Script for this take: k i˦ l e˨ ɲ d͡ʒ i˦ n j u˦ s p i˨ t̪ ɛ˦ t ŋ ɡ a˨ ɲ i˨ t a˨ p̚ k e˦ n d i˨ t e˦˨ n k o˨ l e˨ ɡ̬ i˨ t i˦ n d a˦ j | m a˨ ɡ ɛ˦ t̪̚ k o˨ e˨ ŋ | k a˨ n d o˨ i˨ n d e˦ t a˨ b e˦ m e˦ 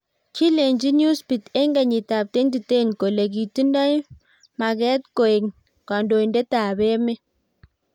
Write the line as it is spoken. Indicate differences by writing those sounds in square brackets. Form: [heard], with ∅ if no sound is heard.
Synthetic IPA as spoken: k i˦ l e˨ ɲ d͡ʒ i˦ n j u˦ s p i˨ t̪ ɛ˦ [∅] ŋ ɡ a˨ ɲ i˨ t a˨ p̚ [t] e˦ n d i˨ t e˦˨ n k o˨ l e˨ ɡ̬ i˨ t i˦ n d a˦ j | m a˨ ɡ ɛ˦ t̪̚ k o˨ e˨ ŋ | k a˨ n d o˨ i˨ n d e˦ t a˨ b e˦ m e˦